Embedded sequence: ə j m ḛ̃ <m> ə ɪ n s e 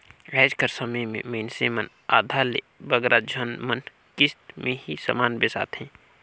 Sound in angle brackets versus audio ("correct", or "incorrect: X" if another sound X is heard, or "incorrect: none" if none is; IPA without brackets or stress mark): correct